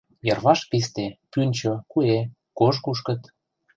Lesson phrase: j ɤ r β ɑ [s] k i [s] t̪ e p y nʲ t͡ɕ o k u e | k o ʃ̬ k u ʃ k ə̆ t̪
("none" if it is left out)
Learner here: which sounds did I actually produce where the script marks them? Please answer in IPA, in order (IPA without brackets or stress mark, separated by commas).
ʃ, s